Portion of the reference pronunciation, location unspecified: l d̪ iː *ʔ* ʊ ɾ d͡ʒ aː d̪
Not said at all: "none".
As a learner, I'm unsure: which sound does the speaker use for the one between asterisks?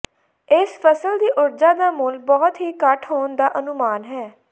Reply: ʔ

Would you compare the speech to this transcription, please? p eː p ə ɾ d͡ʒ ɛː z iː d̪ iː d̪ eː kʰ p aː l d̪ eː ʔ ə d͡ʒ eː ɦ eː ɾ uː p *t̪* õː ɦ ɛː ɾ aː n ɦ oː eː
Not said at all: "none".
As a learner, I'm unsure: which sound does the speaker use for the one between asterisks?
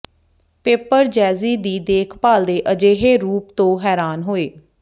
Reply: t̪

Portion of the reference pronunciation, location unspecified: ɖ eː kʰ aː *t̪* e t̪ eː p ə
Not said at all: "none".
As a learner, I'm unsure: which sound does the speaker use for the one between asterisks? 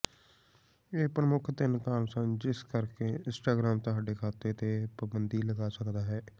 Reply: t̪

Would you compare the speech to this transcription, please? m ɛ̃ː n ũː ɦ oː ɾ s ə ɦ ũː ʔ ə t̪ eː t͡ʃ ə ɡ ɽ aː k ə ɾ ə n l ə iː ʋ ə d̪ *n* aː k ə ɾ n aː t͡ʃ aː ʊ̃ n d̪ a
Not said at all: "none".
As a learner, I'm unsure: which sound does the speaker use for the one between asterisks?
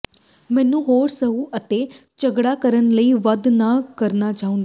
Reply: n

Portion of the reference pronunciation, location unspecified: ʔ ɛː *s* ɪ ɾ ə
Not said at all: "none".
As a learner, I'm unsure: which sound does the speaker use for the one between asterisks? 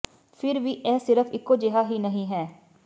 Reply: s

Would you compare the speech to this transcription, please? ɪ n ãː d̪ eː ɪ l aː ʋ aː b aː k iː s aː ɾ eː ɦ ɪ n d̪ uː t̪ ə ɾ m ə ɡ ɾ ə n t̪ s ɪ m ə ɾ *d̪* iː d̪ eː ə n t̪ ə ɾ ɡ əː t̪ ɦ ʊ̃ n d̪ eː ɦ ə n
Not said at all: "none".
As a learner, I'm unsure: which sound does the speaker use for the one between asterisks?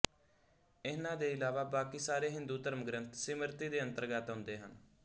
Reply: t̪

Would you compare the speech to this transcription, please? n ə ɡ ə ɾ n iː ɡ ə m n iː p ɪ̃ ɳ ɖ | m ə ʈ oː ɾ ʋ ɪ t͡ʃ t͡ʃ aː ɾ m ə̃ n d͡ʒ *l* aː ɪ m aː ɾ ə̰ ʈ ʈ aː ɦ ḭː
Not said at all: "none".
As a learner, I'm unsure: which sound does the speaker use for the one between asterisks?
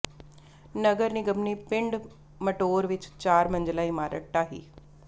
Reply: l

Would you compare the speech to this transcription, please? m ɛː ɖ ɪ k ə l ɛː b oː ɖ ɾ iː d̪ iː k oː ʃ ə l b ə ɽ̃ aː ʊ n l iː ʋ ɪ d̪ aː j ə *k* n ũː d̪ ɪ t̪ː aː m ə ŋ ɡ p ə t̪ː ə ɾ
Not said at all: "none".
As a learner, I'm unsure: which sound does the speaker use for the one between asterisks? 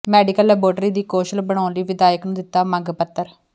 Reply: k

